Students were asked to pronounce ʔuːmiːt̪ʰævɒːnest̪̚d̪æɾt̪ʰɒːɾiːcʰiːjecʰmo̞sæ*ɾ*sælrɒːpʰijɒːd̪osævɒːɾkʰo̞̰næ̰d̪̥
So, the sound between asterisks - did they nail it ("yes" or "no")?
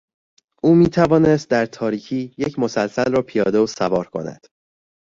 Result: no